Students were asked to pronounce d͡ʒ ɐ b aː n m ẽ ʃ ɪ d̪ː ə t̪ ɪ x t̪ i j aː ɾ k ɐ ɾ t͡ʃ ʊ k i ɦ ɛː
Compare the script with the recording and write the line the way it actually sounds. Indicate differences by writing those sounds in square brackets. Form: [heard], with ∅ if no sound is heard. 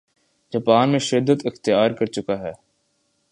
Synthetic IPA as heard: d͡ʒ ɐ [p] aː n m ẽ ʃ ɪ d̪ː ə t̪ ɪ x t̪ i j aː ɾ k ɐ ɾ t͡ʃ ʊ k [a] ɦ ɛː